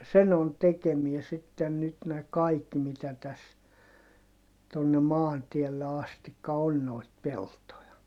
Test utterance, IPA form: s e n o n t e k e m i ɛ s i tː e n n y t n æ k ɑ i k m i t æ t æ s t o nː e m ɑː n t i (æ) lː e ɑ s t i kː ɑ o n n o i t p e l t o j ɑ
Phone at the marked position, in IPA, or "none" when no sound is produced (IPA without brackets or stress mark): ɛ